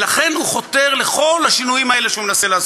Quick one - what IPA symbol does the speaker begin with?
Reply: l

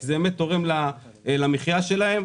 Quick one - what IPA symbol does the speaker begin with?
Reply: z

